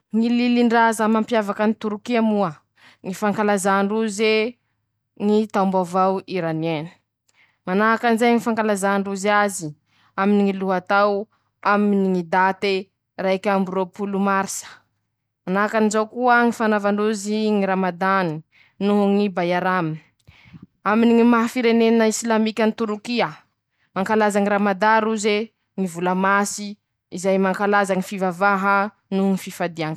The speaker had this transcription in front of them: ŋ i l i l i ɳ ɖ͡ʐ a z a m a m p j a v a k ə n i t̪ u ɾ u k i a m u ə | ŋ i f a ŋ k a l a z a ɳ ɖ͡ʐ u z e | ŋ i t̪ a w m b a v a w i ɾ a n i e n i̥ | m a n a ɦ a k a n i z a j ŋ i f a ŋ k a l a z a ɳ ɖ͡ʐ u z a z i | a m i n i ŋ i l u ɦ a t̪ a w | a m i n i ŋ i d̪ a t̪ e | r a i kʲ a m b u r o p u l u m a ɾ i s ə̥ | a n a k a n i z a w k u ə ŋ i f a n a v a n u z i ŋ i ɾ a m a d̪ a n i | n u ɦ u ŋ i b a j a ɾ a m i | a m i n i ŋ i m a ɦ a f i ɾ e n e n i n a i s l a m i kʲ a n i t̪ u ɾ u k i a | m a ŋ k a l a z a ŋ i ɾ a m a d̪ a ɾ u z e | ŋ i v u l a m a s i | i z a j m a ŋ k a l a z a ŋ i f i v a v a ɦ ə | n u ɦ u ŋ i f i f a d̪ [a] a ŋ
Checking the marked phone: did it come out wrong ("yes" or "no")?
yes